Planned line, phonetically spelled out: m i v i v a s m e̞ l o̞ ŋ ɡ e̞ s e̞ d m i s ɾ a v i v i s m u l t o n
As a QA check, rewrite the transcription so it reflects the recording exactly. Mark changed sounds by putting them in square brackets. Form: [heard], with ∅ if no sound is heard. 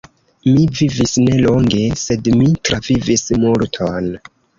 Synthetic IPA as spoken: m i v i v [i] s [n] e̞ l o̞ ŋ ɡ e̞ s e̞ d m i [t] ɾ a v i v i s m u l [tʰ] o n